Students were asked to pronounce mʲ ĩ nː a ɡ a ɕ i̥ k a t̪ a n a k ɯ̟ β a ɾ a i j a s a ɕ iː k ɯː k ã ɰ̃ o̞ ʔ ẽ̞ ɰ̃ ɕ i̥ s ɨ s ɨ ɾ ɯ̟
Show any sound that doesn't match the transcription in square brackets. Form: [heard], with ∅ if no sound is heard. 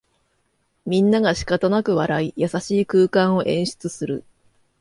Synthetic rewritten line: mʲ ĩ nː a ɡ a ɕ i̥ k a t̪ a n a k ɯ̟ β a ɾ a i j a s a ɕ iː k ɯː k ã ɰ̃ o̞ ʔ ẽ̞ ɰ̃ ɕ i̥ [t͡s] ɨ s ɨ ɾ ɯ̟

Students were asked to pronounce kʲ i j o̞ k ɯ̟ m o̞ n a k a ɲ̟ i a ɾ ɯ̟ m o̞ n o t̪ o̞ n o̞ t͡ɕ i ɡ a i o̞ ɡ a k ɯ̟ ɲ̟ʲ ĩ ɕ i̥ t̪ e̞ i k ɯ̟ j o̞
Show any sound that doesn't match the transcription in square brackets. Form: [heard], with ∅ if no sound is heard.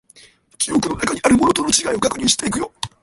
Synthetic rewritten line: kʲ i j o̞ k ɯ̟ [n] o̞ n a k a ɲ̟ i a ɾ ɯ̟ m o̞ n o t̪ o̞ n o̞ t͡ɕ i ɡ a i o̞ ɡ a k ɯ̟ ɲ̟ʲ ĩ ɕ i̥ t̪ e̞ i k ɯ̟ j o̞

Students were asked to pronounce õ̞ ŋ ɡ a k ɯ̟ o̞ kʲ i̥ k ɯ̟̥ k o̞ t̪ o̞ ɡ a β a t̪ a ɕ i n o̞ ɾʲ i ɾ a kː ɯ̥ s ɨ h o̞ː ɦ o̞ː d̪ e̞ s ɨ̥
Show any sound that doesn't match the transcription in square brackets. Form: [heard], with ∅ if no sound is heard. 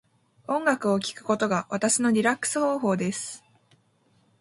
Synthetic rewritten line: õ̞ ŋ ɡ a k ɯ̟ o̞ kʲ i̥ k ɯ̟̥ k o̞ t̪ o̞ ɡ a β a t̪ a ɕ i n o̞ ɾʲ i ɾ a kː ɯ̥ s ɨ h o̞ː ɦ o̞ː d̪ e̞ s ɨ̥

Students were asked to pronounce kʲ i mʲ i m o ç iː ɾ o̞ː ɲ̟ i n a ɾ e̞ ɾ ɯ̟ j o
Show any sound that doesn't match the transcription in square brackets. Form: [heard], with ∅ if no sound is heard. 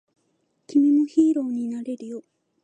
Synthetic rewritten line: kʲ i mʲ i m o ç iː ɾ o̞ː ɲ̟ i n a ɾ e̞ ɾ ɯ̟ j o

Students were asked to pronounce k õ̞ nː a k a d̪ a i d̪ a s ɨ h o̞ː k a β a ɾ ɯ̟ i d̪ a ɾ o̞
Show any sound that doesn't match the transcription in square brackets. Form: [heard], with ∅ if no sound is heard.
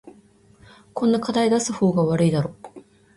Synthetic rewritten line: k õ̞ nː a k a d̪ a i d̪ a s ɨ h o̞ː [ɡ] a β a ɾ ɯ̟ i d̪ a ɾ o̞

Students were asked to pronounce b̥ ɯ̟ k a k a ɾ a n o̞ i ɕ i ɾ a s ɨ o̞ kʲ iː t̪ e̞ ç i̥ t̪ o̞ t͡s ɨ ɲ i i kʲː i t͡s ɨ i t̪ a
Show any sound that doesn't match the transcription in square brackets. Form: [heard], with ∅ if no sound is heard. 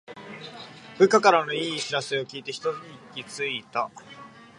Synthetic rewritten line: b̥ ɯ̟ k a k a ɾ a n o̞ [iː] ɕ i ɾ a s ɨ o̞ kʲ iː t̪ e̞ ç i̥ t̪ o̞ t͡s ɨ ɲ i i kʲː i t͡s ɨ i t̪ a

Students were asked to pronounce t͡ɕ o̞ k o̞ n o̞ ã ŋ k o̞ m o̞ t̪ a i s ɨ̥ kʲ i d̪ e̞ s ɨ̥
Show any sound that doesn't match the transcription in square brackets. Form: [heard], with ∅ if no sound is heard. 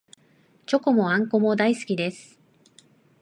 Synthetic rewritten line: t͡ɕ o̞ k o̞ [m] o̞ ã ŋ k o̞ m o̞ [d̪] a i s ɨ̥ kʲ i d̪ e̞ s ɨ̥

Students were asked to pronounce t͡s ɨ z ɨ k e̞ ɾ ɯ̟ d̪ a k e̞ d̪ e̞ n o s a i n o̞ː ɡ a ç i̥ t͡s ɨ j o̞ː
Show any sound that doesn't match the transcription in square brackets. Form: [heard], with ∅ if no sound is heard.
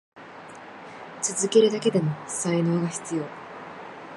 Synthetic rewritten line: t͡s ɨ z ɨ k e̞ ɾ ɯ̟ d̪ a k e̞ d̪ e̞ [m] o s a i n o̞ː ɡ a ç i̥ t͡s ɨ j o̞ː

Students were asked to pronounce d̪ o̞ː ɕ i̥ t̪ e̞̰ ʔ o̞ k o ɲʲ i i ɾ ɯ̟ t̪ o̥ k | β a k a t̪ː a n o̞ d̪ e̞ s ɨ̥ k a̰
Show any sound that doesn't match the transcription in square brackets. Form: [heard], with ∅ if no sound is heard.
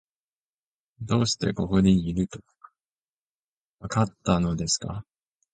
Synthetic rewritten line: d̪ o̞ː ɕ i̥ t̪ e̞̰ [k] o̞ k o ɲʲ i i ɾ ɯ̟ t̪ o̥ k | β a k a t̪ː a n o̞ d̪ e̞ s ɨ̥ k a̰

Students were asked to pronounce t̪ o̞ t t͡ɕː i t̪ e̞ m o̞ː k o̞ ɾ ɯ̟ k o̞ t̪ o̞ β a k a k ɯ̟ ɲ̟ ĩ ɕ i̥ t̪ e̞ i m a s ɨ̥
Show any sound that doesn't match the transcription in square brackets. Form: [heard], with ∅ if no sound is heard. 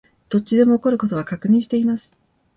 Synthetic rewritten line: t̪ o̞ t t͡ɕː i [d̪] e̞ m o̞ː k o̞ ɾ ɯ̟ k o̞ t̪ o̞ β a k a k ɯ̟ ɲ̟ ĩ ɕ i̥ t̪ e̞ i m a s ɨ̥

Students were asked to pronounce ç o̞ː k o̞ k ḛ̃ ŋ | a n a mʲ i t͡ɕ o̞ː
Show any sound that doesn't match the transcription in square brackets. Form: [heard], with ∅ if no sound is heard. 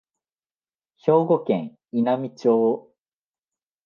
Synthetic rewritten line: ç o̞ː [ɡ] o̞ k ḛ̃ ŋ | [i] n a mʲ i t͡ɕ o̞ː

